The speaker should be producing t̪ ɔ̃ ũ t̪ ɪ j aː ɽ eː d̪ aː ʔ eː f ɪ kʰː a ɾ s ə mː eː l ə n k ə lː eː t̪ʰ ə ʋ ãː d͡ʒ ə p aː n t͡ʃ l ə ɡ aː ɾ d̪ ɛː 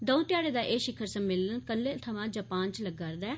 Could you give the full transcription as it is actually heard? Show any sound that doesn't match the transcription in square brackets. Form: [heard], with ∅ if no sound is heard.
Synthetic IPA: [d̪] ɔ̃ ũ t̪ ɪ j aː ɽ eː d̪ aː ʔ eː [ʃ] ɪ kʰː [ə] ɾ s ə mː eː l ə n k ə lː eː t̪ʰ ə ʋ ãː d͡ʒ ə p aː n t͡ʃ l ə ɡ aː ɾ d̪ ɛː